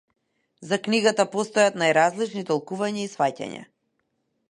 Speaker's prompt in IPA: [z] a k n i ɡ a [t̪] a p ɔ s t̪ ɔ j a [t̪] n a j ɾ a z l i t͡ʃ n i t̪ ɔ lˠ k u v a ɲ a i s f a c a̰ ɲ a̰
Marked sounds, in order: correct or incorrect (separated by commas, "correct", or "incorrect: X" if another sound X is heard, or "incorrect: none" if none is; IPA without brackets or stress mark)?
correct, correct, correct